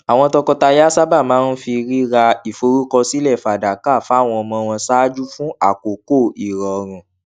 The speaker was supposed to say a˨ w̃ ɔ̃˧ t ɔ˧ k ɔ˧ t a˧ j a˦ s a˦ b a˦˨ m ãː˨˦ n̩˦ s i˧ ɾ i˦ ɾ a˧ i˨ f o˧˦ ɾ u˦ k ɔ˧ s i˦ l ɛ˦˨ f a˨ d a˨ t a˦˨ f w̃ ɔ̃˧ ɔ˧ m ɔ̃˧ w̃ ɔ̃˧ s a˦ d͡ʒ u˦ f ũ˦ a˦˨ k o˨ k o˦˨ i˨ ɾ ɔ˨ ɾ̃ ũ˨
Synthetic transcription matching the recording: a˨ w̃ ɔ̃˧ t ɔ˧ k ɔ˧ t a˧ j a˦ s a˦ b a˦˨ m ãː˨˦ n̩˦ f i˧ ɾ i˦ ɾ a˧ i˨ f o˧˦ ɾ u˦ k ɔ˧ s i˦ l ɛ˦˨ f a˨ d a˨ k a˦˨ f w̃ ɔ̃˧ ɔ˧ m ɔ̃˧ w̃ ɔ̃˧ s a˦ d͡ʒ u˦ f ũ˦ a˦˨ k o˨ k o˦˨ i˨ ɾ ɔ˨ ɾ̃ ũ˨